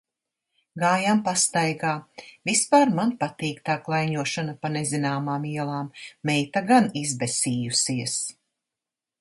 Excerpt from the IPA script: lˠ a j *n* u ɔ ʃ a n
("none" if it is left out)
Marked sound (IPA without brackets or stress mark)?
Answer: ɲ